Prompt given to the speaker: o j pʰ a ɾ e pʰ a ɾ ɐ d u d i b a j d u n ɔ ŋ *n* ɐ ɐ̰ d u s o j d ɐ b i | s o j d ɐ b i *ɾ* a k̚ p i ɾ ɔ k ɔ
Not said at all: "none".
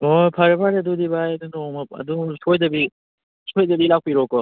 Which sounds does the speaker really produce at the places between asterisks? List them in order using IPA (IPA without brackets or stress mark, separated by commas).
m, l